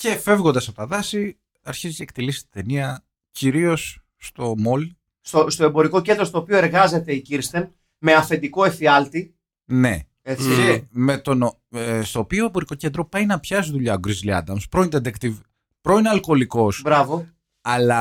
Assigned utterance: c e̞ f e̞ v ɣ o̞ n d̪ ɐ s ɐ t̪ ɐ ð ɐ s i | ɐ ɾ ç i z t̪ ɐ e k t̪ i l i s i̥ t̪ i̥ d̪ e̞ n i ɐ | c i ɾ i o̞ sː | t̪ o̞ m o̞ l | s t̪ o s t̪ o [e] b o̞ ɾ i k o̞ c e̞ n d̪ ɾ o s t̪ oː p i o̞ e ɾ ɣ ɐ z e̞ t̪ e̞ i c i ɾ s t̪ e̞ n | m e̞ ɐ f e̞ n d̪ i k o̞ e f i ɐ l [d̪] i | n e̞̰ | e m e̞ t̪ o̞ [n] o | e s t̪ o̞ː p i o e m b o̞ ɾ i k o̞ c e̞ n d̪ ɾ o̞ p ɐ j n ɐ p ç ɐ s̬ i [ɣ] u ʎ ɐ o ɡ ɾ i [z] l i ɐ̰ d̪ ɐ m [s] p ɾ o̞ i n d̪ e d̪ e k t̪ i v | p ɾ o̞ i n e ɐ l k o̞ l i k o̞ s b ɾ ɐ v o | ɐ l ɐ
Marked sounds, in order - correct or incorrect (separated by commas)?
correct, incorrect, correct, incorrect, correct, correct